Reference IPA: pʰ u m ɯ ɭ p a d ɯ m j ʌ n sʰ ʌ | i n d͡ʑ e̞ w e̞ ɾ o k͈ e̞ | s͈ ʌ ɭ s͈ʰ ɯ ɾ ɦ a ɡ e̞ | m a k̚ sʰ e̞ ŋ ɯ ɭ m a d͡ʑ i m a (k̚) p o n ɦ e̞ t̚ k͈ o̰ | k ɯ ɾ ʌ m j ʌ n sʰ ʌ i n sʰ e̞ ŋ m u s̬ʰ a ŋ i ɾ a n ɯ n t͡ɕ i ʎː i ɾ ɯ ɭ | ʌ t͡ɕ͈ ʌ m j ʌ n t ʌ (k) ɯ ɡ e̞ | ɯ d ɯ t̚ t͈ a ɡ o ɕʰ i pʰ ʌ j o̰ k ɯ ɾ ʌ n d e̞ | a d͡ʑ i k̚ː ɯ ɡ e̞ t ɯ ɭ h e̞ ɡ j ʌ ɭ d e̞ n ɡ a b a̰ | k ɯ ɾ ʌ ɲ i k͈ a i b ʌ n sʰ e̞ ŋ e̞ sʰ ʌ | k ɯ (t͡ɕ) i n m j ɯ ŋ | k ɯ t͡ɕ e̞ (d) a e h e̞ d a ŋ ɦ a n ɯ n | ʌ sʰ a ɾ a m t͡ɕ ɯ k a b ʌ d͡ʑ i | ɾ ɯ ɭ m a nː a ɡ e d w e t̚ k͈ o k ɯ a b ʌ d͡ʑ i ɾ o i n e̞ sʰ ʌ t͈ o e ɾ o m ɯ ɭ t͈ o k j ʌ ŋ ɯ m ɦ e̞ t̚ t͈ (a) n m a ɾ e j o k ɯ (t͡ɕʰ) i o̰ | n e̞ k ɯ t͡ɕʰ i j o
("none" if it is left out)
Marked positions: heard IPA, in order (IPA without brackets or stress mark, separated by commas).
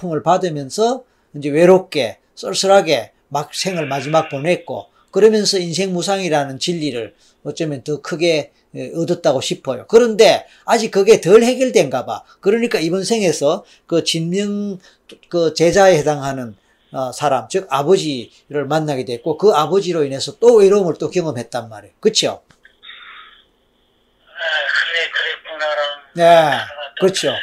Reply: k̚, kʰ, t͡ɕ, d͡ʑ, a, t͡ɕʰ